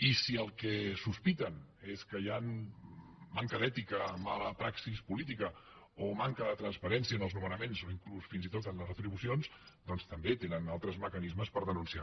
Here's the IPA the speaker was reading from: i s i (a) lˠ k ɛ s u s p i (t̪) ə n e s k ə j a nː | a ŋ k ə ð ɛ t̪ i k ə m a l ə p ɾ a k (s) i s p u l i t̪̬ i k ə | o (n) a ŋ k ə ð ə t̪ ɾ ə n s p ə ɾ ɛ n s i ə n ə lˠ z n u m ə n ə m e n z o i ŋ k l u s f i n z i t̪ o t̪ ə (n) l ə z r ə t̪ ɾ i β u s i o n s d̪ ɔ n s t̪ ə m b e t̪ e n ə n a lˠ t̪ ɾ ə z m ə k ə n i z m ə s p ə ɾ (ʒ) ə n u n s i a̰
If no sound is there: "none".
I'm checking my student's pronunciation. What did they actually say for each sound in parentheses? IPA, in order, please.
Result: ə, t̪, s, m, n, ð

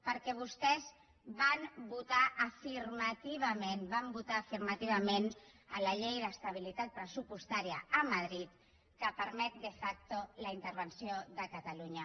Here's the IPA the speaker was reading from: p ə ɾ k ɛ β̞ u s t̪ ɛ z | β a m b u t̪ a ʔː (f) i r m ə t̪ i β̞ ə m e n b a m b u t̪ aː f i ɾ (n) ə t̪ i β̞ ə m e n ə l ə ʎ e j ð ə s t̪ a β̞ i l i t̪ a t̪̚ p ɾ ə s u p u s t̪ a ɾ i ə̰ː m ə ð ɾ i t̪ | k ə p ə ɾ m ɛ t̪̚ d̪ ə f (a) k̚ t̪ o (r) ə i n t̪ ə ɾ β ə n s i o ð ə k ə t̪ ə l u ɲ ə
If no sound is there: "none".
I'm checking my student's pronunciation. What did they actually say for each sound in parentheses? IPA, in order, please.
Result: f, m, a, l

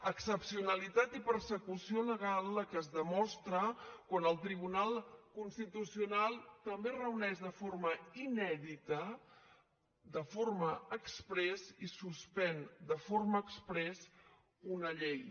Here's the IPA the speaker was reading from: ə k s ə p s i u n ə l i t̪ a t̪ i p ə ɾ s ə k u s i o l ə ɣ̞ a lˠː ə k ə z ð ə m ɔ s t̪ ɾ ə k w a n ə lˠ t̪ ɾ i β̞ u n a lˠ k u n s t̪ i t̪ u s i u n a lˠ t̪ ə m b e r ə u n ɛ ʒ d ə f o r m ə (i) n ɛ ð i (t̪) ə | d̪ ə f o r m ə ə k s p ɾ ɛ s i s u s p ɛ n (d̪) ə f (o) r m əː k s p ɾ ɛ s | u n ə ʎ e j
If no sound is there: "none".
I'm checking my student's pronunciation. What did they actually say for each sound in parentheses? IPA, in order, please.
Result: i, t̪, d̪, o

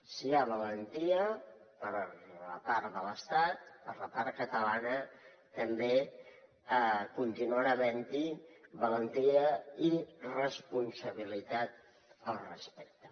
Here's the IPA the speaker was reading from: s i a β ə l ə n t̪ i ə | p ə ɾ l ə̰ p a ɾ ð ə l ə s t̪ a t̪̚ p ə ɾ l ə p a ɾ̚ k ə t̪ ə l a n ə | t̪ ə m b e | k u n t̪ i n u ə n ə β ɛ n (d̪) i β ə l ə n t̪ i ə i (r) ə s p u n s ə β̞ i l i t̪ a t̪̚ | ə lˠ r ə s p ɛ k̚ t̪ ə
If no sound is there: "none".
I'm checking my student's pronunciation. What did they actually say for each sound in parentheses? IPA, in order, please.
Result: t̪, r

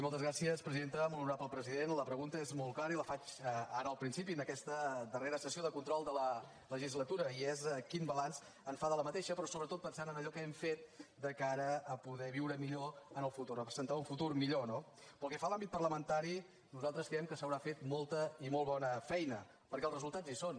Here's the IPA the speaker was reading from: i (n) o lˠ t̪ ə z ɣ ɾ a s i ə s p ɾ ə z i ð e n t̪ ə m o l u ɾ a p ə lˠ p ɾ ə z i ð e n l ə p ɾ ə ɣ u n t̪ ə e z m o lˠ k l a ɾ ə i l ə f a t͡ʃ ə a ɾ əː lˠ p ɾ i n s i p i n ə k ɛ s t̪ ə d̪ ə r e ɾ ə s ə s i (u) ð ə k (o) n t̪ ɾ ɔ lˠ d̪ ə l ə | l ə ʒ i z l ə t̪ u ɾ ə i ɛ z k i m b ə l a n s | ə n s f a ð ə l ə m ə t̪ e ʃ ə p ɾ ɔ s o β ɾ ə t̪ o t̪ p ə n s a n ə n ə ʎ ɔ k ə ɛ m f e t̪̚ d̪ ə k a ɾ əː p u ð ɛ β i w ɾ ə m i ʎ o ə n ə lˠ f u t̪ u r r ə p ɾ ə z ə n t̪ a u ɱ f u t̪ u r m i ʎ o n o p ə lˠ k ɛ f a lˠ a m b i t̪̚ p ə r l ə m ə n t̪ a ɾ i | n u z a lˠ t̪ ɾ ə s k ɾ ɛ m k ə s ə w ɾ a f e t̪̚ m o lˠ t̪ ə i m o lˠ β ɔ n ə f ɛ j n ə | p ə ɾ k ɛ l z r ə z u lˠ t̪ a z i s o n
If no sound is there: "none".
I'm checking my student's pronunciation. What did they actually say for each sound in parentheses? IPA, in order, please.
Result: m, o, u

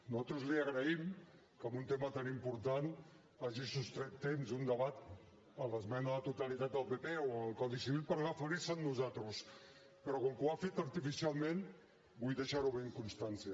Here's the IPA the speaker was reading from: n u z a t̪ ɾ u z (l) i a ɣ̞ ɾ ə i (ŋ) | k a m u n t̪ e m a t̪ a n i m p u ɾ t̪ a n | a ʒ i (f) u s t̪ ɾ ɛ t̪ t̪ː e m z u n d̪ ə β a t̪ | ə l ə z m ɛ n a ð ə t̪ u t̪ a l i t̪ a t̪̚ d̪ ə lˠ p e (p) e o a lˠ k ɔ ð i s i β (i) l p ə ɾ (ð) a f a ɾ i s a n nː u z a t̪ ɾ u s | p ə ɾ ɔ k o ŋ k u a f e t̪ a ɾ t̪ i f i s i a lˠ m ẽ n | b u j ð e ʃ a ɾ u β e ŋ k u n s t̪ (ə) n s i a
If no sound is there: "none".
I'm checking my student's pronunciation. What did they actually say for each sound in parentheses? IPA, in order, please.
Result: l, m, s, p, i, ɣ, a

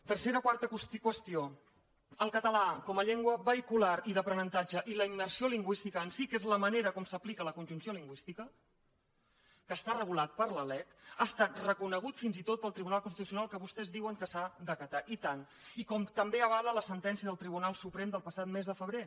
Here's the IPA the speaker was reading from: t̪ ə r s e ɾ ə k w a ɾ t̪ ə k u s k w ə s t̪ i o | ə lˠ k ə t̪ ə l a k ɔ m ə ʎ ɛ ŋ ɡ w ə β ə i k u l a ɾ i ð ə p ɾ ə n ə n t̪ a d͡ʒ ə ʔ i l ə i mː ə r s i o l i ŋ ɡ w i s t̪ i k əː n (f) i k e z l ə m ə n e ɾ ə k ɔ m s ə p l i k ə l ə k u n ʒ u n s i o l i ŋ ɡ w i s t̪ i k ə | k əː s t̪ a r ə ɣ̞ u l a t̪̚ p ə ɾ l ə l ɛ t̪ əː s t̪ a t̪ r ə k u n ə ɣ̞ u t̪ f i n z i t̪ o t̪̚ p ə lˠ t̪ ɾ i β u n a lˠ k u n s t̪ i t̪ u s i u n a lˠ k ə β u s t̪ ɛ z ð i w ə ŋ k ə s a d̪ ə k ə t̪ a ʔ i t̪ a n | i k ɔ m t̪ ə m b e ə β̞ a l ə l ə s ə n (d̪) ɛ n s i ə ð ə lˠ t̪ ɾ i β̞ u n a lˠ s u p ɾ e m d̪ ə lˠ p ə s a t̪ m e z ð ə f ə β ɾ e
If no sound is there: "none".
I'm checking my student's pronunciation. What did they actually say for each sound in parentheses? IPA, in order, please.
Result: s, t̪

